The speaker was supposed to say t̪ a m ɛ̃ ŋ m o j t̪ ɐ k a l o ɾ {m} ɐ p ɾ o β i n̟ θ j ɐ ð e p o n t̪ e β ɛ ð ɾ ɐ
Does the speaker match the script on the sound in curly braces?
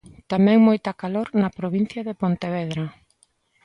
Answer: no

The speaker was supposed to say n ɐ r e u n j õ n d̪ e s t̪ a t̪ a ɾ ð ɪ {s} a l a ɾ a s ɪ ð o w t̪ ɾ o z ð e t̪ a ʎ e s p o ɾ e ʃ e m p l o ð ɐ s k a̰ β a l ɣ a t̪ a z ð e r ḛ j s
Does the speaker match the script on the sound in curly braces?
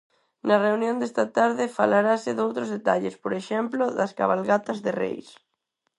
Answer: no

